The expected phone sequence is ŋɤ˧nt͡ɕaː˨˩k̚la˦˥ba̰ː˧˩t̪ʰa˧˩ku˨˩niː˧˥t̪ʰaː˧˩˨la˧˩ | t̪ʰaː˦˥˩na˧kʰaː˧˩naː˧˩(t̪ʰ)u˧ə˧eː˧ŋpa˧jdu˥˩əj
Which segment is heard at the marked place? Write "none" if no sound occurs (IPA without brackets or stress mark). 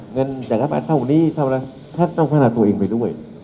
t̪